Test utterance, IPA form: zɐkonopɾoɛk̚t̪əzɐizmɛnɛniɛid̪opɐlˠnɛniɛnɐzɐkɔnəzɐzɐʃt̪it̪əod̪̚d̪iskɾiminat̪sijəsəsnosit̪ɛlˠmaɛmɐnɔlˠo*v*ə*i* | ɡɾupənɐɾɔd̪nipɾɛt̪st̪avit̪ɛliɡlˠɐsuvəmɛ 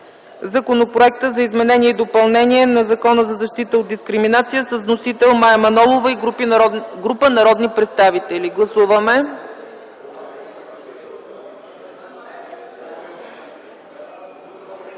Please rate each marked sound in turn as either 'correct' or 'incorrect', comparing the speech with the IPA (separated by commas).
correct, correct